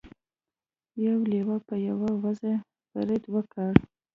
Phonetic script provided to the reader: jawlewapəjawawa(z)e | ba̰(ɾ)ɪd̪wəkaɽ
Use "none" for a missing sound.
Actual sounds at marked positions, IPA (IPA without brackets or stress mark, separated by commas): z, ɾ